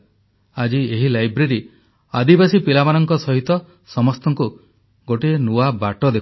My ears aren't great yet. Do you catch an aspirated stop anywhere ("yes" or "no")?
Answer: no